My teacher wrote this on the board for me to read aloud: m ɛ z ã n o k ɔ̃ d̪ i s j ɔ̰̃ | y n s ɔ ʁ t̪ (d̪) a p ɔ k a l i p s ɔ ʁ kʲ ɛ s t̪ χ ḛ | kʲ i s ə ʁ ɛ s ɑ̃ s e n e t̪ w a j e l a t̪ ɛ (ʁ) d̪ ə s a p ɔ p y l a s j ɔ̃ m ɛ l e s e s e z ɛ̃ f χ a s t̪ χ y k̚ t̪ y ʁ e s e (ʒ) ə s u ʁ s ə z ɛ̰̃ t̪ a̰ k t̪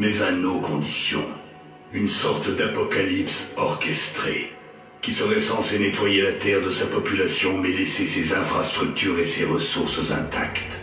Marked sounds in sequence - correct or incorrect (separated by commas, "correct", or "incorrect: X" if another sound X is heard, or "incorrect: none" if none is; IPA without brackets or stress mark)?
correct, correct, incorrect: ʁ